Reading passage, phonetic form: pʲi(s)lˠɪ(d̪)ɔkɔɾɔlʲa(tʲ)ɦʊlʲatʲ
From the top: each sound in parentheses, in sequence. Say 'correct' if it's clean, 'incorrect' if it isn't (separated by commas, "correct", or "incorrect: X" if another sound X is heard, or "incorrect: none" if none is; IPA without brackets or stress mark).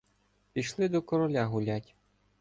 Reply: incorrect: ʃ, correct, incorrect: none